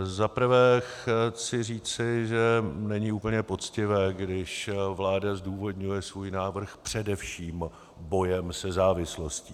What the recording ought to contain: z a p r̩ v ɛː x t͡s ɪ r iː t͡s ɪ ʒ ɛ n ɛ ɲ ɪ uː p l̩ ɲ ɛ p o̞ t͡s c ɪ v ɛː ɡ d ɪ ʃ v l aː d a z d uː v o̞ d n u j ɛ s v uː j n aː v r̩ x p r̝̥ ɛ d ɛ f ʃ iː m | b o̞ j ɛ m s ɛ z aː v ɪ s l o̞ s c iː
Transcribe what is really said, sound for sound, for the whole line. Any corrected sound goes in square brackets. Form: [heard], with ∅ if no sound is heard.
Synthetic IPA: z a p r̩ v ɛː x t͡s ɪ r iː t͡s ɪ ʒ ɛ n ɛ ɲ ɪ uː p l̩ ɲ ɛ p o̞ t͡s c ɪ v ɛː ɡ d ɪ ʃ v l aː d a z d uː v o̞ d [ɲ] u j ɛ s v uː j n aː v r̩ x p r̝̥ ɛ d ɛ f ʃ iː m | b o̞ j ɛ m s ɛ z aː v ɪ s l o̞ s c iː